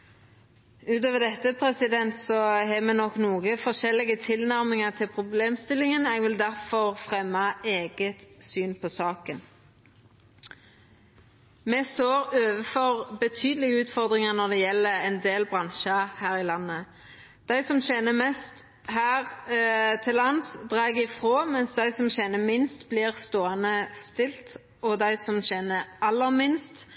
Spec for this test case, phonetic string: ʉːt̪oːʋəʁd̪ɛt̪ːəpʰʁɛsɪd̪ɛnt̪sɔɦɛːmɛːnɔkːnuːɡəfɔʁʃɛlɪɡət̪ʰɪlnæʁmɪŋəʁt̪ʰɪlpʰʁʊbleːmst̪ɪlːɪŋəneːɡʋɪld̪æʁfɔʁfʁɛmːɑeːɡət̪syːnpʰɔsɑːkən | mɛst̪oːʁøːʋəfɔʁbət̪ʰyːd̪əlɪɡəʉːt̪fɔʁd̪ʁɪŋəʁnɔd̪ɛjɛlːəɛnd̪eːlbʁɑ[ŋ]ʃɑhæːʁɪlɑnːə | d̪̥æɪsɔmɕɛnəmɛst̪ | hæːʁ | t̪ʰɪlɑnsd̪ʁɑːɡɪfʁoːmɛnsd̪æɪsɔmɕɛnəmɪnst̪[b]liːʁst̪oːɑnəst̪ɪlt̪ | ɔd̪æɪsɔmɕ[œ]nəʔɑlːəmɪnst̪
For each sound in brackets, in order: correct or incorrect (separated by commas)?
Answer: incorrect, correct, incorrect